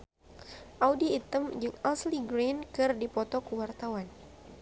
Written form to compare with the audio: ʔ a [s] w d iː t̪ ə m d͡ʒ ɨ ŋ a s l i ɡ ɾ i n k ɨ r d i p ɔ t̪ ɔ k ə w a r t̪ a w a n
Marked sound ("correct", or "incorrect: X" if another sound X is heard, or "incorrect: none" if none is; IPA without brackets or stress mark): incorrect: none